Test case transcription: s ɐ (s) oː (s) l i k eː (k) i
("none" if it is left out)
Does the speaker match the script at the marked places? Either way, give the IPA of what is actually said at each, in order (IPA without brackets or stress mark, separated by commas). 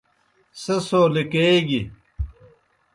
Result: s, none, ɡ